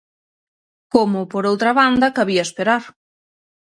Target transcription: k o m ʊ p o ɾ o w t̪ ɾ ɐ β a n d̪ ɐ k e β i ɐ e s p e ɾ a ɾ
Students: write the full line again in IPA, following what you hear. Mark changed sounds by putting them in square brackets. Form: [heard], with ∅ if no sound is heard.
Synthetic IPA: k o m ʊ p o ɾ o w t̪ ɾ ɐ β a n d̪ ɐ k [a] β i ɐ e s p e ɾ a ɾ